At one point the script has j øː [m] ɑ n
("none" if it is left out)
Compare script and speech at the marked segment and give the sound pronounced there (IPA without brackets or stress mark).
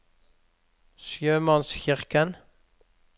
m